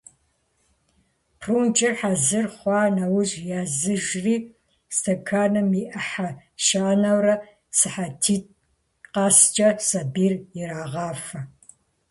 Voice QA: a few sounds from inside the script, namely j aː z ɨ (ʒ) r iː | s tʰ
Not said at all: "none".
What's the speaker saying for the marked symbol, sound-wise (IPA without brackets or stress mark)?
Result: ʒ